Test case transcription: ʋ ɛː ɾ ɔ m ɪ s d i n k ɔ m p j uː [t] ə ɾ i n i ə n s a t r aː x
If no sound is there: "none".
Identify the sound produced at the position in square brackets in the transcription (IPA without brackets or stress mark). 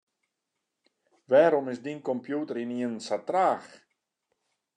t